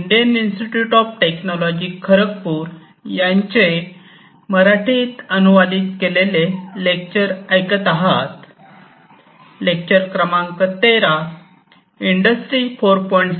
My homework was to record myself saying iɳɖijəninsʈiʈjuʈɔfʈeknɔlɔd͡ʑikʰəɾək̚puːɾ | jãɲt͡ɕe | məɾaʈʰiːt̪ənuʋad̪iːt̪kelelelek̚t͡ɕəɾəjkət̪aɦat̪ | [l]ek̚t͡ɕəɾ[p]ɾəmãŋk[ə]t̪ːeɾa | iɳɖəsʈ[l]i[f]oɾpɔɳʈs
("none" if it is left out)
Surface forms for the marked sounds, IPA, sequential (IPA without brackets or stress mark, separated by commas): l, k, ə, ɾ, f